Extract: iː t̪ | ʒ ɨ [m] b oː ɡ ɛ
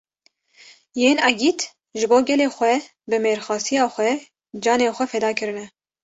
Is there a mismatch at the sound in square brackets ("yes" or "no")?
yes